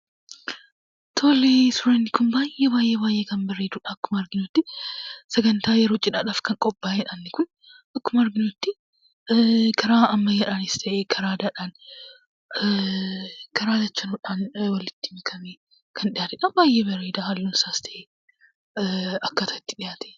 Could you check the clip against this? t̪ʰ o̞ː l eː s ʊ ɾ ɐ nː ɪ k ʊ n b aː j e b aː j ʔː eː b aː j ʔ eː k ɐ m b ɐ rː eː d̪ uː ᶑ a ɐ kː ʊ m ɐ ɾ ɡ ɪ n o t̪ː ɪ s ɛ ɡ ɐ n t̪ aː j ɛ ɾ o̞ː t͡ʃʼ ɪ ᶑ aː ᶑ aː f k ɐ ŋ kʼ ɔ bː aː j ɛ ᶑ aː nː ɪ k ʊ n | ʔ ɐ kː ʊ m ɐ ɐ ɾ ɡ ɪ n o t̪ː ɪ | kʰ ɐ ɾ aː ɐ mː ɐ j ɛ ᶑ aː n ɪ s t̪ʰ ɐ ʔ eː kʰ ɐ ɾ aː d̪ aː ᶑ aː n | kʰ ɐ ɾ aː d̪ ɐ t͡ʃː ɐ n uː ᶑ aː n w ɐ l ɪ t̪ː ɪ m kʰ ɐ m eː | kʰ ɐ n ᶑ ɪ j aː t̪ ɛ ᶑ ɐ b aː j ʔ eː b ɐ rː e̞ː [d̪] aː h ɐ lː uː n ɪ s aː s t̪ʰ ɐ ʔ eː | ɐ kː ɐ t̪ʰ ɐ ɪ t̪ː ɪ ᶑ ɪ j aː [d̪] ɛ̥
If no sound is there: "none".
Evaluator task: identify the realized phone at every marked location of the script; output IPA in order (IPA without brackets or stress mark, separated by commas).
d̪, t̪